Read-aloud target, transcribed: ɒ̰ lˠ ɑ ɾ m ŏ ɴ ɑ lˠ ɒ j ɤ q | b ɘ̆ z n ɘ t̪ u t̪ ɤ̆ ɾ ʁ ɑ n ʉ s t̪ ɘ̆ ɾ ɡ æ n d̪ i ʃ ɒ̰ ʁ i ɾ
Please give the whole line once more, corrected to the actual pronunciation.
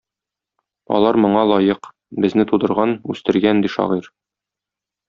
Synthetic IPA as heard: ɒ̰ lˠ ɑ ɾ m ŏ ɴ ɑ lˠ ɒ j ɤ q | b ɘ̆ z n ɘ t̪ u d̪ ɤ̆ ɾ ʁ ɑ n ʉ s t̪ ɘ̆ ɾ ɡ æ n d̪ i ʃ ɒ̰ ʁ i ɾ